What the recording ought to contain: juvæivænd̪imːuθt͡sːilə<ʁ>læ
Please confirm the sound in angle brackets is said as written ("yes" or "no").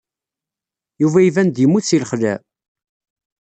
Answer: no